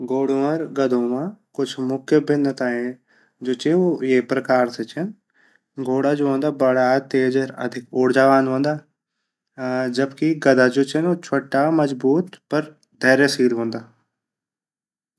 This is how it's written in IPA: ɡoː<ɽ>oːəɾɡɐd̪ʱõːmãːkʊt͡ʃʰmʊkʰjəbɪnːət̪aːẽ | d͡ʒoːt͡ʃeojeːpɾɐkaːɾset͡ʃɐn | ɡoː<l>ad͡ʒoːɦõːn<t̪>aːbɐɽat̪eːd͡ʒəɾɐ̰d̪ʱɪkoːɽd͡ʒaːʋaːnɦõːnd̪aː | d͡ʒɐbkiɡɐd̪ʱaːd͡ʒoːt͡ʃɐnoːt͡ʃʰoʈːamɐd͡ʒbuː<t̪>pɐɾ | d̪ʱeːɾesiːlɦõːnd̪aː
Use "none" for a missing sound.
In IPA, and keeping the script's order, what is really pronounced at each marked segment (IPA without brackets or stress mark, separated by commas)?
ɽ, ɽ, d̪, t̪